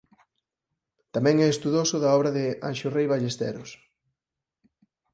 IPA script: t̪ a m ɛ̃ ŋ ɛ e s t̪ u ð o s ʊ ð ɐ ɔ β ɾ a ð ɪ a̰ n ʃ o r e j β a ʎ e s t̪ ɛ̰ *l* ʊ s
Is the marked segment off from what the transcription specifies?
yes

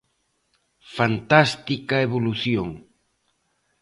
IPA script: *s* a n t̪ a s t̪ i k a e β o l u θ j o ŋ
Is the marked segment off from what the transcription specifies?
yes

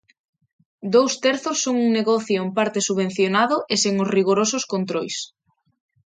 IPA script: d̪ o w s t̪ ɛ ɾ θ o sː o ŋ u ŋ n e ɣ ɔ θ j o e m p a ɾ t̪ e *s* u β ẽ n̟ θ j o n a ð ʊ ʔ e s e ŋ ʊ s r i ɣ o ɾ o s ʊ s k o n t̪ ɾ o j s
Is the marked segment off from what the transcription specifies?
no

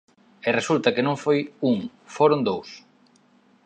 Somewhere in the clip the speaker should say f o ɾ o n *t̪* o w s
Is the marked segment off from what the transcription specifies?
yes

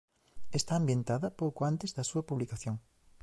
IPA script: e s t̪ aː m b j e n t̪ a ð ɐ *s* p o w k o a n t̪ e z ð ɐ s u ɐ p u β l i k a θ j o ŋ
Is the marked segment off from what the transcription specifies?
yes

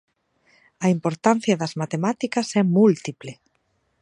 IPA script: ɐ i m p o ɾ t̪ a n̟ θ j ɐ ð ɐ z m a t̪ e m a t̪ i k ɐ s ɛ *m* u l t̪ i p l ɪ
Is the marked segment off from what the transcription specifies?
no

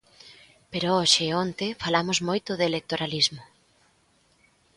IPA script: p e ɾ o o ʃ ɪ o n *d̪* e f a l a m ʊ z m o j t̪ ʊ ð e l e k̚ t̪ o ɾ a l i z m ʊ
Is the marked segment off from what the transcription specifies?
yes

